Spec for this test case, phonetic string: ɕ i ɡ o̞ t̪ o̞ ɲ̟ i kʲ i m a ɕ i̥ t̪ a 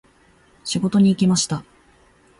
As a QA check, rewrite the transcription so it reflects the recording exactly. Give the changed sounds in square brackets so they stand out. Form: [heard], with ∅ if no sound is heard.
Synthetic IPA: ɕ i ɡ o̞ t̪ o̞ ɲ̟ [iː] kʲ i m a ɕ i̥ t̪ a